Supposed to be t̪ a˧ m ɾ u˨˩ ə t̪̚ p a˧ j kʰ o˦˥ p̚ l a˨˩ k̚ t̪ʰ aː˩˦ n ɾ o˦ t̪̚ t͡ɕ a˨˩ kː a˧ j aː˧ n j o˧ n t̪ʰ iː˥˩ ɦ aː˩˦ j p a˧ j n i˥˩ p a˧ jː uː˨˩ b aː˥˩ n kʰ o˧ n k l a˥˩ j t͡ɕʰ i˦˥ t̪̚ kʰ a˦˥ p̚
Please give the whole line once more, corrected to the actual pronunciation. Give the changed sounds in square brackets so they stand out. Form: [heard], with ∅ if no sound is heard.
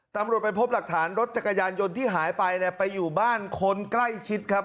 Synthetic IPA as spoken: t̪ a˧ m ɾ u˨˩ ə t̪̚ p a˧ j [pʰ] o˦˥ p̚ l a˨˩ k̚ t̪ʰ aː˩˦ n ɾ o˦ t̪̚ t͡ɕ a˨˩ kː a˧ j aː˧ n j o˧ n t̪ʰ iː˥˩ ɦ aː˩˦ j p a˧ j n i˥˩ p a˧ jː uː˨˩ b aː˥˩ n kʰ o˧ n k l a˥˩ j t͡ɕʰ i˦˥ t̪̚ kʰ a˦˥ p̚

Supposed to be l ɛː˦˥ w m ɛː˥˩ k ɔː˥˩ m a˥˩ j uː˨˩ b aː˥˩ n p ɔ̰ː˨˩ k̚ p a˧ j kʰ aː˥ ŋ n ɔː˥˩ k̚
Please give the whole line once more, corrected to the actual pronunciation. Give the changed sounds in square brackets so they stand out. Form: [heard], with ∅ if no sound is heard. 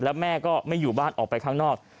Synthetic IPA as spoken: l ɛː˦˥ w m ɛː˥˩ k ɔː˥˩ m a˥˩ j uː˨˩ b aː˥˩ n [ʔ] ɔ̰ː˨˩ k̚ p a˧ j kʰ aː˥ ŋ n ɔː˥˩ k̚

